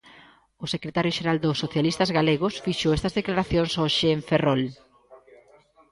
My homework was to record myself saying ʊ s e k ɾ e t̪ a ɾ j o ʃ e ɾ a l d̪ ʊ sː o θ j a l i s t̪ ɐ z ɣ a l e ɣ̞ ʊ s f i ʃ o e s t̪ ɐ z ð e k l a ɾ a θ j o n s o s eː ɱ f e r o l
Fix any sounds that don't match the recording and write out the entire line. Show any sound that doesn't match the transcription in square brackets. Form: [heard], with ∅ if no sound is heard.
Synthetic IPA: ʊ s e k ɾ e t̪ a ɾ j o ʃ e ɾ a l d̪ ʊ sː o θ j a l i s t̪ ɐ z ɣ a l e ɣ̞ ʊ s f i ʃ o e s t̪ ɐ z ð e k l a ɾ a θ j o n s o [ʃ] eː ɱ f e r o l